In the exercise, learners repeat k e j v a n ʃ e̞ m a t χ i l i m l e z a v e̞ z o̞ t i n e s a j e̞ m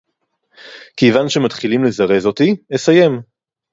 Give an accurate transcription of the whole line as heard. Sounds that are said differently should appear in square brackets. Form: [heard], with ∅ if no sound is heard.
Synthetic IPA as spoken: k e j v a n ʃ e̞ m a t χ i l i m l e z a [ʁ] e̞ z o̞ t i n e s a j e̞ m